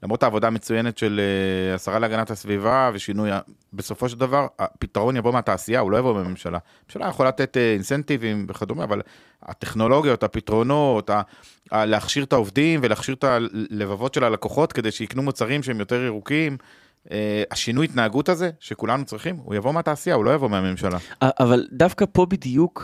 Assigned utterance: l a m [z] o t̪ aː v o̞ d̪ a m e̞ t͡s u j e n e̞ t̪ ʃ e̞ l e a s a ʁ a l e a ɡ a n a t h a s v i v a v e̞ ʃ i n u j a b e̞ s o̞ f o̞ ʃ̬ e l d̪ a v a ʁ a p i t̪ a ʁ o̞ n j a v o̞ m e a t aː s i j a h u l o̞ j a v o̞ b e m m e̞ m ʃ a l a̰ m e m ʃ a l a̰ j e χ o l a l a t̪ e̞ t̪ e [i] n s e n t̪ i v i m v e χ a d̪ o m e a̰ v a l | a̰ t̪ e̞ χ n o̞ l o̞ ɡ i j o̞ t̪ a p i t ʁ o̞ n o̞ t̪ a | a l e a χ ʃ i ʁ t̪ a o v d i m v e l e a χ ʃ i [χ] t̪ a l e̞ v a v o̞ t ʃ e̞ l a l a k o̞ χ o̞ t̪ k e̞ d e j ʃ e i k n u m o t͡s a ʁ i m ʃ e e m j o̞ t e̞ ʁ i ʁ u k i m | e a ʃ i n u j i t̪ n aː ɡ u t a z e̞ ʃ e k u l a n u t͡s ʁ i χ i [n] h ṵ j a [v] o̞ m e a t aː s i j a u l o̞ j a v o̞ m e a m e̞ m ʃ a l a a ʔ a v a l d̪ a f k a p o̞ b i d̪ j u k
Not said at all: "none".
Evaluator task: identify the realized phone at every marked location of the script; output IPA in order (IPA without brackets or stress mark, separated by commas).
ʁ, i, ʁ, m, v